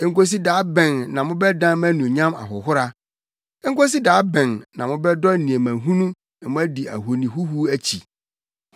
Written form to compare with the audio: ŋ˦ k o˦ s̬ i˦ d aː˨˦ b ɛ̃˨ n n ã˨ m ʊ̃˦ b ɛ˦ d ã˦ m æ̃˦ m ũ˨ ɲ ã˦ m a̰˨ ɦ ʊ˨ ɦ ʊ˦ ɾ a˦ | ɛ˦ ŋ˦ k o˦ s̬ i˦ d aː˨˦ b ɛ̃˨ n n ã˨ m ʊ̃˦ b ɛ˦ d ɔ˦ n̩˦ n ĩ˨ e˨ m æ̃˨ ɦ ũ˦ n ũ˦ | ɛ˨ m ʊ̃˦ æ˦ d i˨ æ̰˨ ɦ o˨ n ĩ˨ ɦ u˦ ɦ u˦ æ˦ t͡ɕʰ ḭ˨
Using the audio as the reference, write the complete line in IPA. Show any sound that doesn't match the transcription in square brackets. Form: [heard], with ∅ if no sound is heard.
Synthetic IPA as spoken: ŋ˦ k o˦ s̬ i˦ d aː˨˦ b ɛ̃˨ n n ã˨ m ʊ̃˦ b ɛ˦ d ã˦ m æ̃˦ [n] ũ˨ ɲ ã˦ m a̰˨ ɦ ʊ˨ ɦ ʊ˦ ɾ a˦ | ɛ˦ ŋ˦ k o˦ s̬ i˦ d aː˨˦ b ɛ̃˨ n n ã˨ m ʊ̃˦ b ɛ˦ d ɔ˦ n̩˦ n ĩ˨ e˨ m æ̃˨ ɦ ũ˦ n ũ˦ | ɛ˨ m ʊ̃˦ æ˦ d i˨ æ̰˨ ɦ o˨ n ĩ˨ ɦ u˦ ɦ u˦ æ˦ t͡ɕʰ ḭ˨